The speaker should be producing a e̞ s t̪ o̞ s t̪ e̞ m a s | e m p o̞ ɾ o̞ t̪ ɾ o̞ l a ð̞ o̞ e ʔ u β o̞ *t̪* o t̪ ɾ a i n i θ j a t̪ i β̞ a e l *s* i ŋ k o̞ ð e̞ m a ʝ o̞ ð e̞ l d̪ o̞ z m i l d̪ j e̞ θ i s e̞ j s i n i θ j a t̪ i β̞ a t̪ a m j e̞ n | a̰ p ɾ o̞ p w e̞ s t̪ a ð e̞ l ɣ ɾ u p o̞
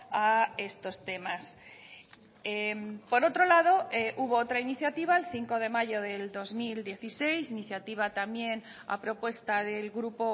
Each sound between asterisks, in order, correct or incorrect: incorrect, incorrect

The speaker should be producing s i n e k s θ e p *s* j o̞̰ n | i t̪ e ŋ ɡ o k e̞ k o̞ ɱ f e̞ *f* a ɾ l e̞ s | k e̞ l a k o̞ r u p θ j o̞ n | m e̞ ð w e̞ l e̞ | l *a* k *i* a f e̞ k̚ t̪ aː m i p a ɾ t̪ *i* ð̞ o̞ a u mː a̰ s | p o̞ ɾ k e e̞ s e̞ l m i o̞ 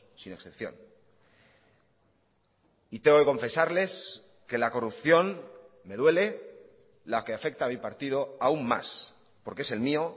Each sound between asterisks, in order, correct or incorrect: incorrect, incorrect, correct, incorrect, correct

